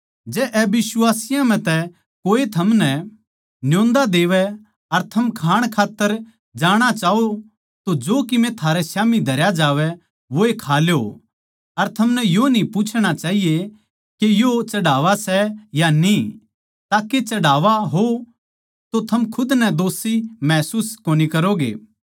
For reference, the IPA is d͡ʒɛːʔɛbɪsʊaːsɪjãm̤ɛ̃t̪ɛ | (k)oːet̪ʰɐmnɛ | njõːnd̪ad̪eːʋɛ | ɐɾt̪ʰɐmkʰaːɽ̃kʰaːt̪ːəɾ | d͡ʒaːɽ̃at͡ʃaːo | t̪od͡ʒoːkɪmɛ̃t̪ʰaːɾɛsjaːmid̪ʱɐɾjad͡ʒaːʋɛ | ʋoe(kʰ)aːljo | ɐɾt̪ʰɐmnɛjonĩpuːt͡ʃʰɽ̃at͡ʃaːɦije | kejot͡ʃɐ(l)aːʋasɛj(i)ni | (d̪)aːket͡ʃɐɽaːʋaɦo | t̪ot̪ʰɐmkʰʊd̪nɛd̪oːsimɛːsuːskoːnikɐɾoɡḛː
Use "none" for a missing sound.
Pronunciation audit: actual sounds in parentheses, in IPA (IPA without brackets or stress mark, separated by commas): k, kʰ, ɽ, a, t̪